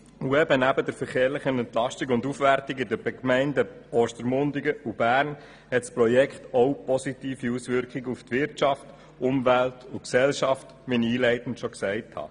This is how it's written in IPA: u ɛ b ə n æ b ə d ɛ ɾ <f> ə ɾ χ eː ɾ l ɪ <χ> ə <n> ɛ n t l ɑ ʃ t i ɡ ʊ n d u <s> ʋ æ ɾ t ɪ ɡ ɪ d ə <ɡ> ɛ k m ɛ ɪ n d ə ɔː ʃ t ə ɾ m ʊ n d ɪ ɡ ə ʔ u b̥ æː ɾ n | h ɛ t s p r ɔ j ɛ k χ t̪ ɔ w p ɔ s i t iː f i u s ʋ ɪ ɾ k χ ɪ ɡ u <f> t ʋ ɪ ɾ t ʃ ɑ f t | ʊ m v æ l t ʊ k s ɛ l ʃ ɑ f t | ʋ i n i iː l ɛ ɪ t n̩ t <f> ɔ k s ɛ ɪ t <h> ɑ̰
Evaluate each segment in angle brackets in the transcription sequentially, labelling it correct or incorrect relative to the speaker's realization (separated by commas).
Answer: correct, correct, correct, incorrect, incorrect, correct, incorrect, correct